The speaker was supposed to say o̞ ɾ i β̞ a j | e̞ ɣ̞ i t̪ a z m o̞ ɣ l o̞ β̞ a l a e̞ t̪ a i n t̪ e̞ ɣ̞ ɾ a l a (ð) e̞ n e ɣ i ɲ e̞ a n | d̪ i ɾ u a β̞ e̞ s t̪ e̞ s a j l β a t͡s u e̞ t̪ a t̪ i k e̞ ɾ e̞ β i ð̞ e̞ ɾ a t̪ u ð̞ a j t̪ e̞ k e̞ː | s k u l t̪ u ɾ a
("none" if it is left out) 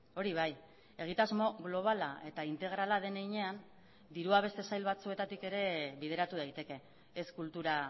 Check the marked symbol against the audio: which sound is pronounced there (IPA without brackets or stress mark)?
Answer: ð